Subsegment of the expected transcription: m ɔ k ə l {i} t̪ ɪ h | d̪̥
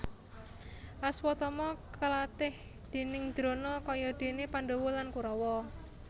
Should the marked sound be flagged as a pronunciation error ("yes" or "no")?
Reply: yes